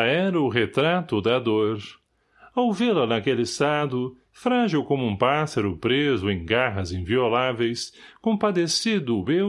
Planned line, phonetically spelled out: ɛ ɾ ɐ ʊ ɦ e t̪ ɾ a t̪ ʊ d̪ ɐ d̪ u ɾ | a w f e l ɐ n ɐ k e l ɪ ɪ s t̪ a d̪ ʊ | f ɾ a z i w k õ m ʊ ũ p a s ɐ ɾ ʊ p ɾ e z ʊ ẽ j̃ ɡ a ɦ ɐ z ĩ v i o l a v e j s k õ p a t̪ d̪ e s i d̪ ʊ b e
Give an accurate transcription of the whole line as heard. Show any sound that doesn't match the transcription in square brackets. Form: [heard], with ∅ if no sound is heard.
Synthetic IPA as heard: ɛ ɾ ɐ ʊ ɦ e t̪ ɾ a t̪ ʊ d̪ ɐ d̪ [o] ɾ | a w [v] e l ɐ n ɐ k e l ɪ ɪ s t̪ a d̪ ʊ | f ɾ a [ʒ] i w k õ m ʊ ũ p a s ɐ ɾ ʊ p ɾ e z ʊ ẽ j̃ ɡ a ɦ ɐ z ĩ v i o l a v e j s k õ p a [∅] d̪ e s i d̪ ʊ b e